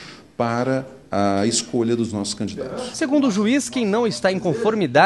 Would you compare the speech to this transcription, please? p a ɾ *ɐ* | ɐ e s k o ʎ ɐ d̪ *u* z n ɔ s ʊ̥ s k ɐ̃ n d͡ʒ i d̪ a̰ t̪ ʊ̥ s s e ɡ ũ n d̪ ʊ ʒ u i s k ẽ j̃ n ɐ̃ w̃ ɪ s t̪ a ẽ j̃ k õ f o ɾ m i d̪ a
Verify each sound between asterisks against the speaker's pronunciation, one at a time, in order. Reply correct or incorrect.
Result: correct, incorrect: ʊ

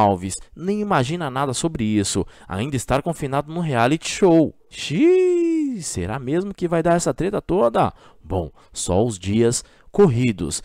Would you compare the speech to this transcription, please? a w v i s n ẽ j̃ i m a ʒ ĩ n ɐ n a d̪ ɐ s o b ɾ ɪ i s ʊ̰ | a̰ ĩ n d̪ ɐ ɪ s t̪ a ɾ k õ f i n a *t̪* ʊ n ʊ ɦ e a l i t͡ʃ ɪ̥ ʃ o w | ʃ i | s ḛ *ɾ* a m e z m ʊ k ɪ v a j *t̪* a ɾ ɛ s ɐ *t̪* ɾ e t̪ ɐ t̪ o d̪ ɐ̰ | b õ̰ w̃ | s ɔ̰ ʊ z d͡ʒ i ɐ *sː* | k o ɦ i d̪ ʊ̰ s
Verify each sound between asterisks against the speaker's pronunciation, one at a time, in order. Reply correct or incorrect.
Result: incorrect: d̪, correct, incorrect: d̪, correct, incorrect: s

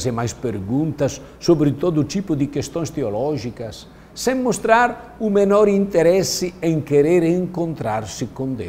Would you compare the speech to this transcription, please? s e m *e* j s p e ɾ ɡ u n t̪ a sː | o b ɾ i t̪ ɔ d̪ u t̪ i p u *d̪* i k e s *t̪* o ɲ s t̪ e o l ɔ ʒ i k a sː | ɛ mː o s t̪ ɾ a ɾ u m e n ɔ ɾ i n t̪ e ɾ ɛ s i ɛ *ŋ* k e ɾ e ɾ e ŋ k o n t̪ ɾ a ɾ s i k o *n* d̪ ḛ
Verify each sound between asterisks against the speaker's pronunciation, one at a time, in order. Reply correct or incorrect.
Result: incorrect: a, correct, correct, correct, correct

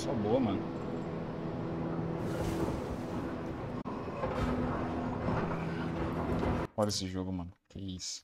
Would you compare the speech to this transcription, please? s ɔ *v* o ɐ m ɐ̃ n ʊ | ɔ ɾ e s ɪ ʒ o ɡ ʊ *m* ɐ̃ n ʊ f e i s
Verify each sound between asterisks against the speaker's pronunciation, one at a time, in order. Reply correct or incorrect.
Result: incorrect: b, correct

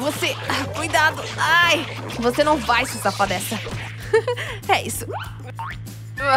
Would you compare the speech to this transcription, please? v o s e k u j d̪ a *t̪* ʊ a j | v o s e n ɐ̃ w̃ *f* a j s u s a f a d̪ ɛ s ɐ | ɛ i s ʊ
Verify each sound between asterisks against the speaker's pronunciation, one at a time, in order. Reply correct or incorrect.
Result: incorrect: d̪, incorrect: v

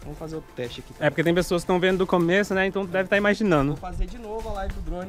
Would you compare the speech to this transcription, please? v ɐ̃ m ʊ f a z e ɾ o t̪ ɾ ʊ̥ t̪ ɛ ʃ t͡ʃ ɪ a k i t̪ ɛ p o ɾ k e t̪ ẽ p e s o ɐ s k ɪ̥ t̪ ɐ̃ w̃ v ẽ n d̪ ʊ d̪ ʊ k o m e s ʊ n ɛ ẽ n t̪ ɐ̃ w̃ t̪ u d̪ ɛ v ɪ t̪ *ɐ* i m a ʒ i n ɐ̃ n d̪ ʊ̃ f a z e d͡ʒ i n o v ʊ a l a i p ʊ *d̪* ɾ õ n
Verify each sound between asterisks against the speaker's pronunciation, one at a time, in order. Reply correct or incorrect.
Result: incorrect: a, correct

